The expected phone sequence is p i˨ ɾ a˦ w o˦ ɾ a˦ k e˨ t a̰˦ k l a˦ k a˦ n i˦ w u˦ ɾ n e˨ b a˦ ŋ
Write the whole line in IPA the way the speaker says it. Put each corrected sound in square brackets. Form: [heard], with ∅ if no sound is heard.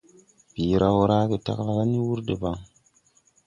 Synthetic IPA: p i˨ ɾ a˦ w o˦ ɾ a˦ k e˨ t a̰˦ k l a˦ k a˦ n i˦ w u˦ ɾ [d] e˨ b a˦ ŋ